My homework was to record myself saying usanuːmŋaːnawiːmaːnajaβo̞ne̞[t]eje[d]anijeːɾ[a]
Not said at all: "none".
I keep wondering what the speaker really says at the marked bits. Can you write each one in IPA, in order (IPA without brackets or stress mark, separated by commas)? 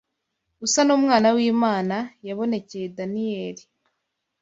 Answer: c, d, i